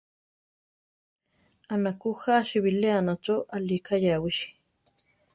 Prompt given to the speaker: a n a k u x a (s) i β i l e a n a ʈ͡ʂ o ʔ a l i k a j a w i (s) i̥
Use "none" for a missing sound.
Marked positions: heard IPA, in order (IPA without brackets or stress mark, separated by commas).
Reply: ʃ, ʃ